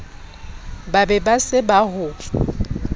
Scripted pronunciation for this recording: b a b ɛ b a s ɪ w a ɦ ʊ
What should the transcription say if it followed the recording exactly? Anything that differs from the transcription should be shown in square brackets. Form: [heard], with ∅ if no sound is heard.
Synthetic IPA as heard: b a b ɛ b a s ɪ [b] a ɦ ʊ